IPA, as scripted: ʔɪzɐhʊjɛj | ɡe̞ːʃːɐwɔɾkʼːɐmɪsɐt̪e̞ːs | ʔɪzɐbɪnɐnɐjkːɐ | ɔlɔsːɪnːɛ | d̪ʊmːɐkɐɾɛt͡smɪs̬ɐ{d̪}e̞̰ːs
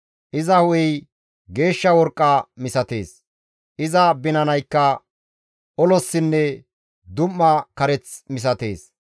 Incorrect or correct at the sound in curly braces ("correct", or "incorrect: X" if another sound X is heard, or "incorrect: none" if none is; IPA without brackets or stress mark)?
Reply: incorrect: t̪